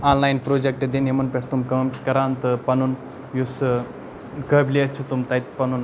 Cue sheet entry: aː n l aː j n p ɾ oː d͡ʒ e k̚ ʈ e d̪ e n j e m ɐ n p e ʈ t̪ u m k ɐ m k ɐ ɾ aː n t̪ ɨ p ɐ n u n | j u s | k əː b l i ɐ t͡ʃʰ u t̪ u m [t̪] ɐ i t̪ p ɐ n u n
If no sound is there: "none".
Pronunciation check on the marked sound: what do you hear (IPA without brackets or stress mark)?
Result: t̪